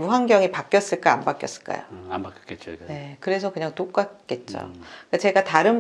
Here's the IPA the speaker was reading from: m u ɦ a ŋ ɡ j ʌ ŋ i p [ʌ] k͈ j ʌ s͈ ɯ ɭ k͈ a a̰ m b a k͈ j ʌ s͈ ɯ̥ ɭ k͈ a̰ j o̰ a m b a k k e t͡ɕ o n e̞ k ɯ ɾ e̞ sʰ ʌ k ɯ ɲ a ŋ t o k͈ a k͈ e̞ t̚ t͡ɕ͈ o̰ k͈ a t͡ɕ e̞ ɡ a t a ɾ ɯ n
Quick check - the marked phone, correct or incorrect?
incorrect